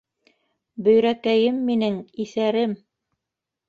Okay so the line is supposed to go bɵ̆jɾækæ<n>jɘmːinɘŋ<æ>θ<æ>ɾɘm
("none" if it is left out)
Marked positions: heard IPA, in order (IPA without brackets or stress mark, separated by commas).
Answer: none, i, æ